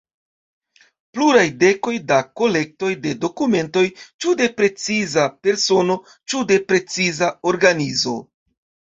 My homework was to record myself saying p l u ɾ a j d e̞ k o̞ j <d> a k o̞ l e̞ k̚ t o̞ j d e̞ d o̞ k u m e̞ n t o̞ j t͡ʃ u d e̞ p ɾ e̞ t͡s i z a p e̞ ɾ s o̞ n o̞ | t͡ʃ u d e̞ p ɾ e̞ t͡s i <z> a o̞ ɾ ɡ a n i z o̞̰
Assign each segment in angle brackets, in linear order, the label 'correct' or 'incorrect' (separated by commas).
correct, correct